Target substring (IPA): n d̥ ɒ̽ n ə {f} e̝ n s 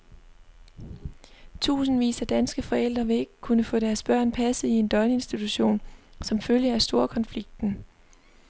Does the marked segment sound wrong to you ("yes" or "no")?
yes